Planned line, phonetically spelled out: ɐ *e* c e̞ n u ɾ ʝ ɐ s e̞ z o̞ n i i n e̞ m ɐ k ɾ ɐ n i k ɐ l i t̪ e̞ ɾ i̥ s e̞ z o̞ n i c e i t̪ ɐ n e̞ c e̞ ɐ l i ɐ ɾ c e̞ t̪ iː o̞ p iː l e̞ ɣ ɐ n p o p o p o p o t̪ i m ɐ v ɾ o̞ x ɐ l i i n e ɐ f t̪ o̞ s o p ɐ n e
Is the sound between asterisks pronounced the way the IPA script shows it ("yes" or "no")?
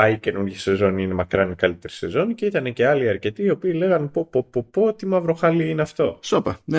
no